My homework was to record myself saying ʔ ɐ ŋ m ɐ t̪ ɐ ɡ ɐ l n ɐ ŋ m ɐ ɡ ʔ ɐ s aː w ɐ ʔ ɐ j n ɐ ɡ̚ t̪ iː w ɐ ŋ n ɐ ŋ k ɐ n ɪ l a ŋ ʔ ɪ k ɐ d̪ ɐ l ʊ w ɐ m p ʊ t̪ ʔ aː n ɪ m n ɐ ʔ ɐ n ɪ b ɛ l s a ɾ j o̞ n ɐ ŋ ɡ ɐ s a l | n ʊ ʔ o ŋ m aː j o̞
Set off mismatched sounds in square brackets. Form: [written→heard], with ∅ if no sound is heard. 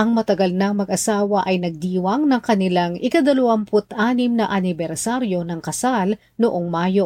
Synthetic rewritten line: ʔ ɐ ŋ m ɐ t̪ ɐ ɡ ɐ l n ɐ ŋ m ɐ ɡ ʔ ɐ s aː w ɐ ʔ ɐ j n ɐ ɡ̚ [t̪→d̪] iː w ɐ ŋ n ɐ ŋ k ɐ n ɪ l a ŋ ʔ ɪ k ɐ d̪ ɐ l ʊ w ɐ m p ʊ t̪ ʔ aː n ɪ m n ɐ ʔ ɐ n ɪ b ɛ [l→ɾ] s a ɾ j o̞ n ɐ ŋ [ɡ→k] ɐ s a l | n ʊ ʔ o ŋ m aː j o̞